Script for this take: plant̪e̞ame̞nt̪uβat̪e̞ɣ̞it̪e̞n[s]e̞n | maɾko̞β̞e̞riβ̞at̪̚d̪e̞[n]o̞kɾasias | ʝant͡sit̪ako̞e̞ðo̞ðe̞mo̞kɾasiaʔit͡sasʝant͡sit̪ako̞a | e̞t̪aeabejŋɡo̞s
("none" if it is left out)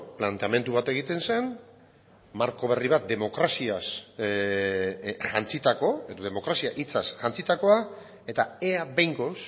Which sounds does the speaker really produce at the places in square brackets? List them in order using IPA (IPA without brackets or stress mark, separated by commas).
s, m